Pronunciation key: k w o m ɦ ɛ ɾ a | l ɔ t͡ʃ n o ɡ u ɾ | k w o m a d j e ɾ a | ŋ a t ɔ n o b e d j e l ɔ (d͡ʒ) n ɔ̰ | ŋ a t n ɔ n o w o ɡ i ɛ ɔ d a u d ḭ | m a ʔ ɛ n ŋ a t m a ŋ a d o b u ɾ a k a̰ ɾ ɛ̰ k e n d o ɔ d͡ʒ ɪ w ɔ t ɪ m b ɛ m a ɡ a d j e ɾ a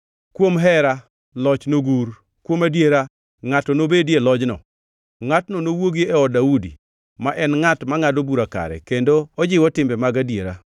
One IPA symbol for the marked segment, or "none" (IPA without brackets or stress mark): d͡ʒ